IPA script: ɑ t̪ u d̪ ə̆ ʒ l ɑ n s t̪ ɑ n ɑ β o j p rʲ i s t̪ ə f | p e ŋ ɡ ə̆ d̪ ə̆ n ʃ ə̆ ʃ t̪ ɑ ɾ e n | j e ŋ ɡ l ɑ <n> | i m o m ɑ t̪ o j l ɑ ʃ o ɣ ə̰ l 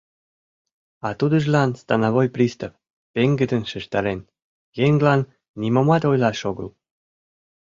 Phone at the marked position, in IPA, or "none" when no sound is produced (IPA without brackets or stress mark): nː